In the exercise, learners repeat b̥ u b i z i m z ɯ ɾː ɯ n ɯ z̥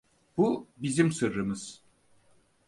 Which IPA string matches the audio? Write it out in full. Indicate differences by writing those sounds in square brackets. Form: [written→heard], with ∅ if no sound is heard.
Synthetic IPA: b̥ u b i z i m [z→s] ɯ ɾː ɯ [n→m] ɯ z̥